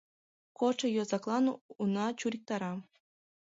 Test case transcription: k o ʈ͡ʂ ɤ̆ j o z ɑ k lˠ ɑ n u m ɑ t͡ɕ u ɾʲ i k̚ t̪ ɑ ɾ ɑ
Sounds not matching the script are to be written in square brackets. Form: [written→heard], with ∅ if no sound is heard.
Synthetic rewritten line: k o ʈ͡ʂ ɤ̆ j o z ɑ k lˠ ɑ n u [m→n] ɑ t͡ɕ u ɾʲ i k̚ t̪ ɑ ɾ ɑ